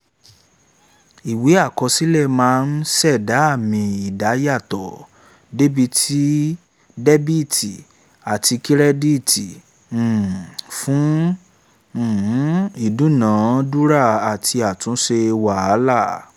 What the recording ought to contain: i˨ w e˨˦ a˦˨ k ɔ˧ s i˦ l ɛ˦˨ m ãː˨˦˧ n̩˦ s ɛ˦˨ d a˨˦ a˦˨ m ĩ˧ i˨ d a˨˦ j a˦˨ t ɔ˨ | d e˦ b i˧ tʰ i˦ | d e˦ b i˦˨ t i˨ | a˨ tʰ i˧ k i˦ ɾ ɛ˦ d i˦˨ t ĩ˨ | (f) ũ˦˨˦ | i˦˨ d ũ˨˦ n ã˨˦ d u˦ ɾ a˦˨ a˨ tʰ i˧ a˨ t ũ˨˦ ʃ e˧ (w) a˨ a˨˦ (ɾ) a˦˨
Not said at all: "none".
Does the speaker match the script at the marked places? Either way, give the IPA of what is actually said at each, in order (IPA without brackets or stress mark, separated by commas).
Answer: f, w, l